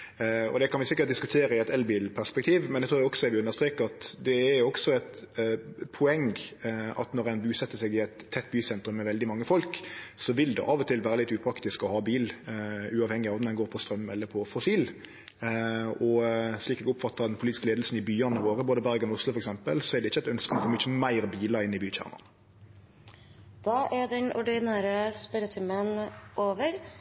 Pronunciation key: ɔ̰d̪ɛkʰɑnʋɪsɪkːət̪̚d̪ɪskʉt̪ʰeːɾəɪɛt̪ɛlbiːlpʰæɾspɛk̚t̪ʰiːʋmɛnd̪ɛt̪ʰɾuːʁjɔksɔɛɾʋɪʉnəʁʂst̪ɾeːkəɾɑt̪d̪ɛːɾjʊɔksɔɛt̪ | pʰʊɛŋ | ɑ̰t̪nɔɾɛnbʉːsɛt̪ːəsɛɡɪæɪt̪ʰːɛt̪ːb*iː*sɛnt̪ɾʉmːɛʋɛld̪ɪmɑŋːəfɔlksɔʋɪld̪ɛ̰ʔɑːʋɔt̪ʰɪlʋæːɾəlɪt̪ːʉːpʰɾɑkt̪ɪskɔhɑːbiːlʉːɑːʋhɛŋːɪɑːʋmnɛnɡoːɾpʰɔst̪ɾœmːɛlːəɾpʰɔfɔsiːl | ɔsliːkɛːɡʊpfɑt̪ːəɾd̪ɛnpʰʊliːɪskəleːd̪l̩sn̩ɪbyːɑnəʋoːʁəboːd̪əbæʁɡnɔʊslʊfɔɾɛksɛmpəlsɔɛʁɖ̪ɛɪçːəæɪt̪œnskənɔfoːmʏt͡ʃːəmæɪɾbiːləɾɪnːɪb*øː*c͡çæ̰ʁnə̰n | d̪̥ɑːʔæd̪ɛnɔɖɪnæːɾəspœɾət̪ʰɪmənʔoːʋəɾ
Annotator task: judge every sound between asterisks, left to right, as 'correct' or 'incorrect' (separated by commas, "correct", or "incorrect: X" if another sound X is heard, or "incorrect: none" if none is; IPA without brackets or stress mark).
incorrect: yː, incorrect: yː